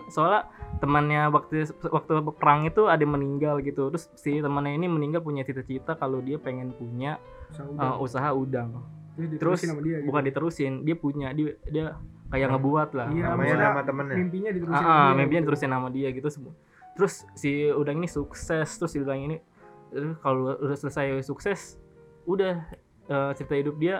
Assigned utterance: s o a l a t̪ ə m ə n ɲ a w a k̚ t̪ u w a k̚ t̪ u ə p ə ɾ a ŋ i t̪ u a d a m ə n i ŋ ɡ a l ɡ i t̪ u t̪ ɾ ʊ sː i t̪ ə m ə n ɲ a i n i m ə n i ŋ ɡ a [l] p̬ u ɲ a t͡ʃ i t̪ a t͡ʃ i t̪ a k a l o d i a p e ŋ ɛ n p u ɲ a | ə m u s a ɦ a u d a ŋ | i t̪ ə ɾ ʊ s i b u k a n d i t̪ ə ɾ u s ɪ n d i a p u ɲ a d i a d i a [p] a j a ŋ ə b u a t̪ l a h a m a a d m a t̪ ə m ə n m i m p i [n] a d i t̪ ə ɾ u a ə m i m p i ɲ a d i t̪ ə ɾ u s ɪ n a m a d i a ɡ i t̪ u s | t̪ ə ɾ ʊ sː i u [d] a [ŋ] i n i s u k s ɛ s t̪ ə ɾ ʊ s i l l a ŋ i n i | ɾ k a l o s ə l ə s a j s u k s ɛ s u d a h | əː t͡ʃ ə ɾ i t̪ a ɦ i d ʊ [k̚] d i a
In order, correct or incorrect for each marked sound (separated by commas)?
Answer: correct, incorrect, incorrect, correct, correct, incorrect